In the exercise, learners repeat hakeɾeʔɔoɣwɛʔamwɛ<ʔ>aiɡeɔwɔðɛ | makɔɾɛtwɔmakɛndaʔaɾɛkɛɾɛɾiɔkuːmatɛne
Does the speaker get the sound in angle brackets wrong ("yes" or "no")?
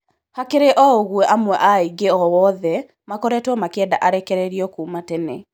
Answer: no